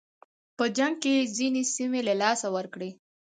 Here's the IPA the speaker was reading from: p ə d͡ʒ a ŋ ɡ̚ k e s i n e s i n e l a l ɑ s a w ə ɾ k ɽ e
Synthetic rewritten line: p ə d͡ʒ a ŋ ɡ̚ k e z i n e s i m e l a l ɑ s a w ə ɾ k ɽ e